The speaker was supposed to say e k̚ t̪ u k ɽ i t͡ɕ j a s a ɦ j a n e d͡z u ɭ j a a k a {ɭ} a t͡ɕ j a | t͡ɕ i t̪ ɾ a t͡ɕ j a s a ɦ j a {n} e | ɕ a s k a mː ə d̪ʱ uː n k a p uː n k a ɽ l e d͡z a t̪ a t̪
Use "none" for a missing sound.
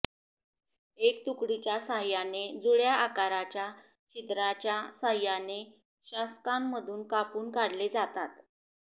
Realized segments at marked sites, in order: ɾ, n

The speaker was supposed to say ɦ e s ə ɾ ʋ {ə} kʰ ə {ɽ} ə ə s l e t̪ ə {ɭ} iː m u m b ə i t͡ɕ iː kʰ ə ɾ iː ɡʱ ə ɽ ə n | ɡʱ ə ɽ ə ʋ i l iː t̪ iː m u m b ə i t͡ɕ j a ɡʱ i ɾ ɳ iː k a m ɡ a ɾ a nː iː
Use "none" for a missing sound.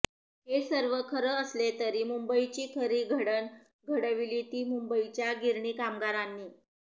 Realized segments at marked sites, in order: ə, ɾ, ɾ

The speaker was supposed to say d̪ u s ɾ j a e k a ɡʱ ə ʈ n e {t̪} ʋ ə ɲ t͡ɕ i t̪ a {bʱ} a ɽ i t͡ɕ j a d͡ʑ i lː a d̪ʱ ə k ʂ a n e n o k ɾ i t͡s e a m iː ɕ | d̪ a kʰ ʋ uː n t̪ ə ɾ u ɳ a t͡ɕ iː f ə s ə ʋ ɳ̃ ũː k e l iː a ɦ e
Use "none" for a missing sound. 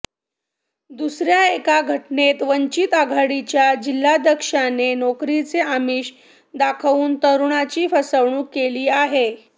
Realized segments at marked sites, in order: t̪, ɡʱ

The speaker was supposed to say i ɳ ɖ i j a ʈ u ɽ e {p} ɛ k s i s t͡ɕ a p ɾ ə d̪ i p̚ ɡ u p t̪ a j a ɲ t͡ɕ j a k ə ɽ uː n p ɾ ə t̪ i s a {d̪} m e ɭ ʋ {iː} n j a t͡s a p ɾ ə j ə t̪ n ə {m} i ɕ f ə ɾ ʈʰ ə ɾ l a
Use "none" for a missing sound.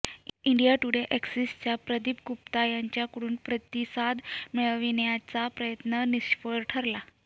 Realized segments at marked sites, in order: ʔ, d̪, i, n

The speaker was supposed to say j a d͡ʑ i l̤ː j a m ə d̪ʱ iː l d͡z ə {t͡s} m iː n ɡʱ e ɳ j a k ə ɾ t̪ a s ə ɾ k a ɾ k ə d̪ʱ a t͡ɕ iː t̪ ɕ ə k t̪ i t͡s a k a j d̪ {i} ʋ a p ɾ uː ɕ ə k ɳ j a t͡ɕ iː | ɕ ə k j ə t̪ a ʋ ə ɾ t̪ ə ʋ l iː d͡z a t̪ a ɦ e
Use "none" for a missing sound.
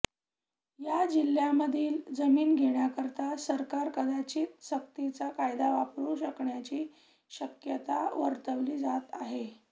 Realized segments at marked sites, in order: none, a

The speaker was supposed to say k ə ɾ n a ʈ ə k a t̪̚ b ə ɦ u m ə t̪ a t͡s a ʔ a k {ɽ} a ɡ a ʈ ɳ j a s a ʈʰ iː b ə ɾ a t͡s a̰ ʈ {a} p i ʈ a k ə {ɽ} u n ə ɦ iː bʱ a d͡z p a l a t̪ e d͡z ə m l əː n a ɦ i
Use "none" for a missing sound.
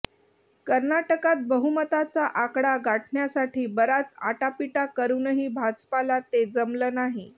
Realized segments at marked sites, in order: ɽ, a, ɾ

